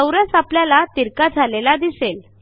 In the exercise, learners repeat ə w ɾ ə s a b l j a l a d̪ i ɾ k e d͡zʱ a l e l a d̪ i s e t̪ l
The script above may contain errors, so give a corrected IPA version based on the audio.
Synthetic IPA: ə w ɾ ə s a p l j a l a t̪ i ɾ k a d͡zʱ a l e l a d̪ i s e l